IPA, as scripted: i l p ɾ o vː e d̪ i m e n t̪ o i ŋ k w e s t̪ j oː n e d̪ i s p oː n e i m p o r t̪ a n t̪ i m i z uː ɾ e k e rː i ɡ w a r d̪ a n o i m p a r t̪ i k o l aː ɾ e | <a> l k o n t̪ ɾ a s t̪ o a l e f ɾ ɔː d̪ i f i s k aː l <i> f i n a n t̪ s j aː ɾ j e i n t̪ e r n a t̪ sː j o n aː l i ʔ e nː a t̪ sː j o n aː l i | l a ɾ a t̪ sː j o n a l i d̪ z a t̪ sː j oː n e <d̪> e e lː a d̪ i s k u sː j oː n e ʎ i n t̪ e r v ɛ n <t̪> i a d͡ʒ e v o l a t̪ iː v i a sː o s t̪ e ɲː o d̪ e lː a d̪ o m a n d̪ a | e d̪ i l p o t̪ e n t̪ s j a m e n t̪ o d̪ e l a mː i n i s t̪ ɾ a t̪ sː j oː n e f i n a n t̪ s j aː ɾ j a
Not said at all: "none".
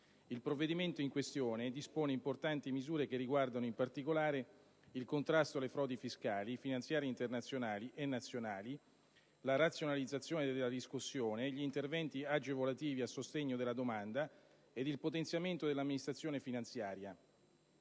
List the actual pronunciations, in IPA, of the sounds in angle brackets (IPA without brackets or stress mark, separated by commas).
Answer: i, i, d̪, t̪